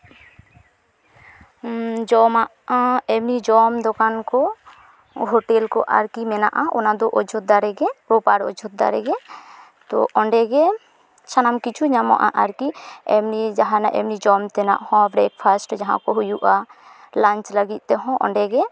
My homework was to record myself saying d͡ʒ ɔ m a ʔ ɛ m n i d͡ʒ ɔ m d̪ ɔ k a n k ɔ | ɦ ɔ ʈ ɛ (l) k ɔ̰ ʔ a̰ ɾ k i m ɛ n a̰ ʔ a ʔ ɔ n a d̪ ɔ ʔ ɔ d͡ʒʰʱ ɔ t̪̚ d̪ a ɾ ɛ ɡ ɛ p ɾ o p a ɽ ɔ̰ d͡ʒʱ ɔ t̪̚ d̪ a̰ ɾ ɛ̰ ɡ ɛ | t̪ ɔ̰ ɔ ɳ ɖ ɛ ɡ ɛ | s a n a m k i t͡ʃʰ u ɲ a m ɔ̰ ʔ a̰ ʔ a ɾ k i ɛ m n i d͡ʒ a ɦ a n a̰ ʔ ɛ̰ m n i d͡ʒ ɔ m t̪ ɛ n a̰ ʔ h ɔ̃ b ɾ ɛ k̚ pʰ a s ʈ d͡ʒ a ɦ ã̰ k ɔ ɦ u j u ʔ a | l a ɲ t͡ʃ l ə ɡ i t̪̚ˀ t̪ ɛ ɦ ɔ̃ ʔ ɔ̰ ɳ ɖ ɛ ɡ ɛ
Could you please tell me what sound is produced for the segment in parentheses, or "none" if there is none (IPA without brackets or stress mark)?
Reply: l